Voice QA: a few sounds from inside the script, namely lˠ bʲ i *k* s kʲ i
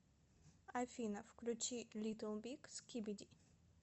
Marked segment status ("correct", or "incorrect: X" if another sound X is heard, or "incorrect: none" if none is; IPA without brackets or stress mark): correct